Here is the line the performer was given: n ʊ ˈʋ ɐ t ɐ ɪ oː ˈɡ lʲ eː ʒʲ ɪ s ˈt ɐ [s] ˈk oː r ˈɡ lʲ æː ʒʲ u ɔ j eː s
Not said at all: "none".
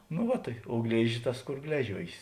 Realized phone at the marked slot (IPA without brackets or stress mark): s